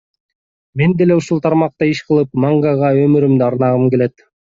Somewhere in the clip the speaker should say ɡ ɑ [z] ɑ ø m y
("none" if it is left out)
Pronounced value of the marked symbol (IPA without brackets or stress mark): ʁ